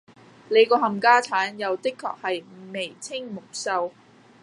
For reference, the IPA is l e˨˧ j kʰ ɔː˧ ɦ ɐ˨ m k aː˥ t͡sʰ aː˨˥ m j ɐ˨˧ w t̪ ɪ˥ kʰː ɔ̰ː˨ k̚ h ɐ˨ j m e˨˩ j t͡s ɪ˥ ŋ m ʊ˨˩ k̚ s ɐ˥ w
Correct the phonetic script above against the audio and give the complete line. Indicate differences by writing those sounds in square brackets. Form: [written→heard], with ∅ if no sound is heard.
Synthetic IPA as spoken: l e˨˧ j [kʰ→k] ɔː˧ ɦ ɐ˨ m k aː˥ t͡sʰ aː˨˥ [m→n] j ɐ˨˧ w t̪ ɪ˥ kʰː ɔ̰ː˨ k̚ h ɐ˨ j m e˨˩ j [t͡s→t͡sʰ] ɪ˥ ŋ m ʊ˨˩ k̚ s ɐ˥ w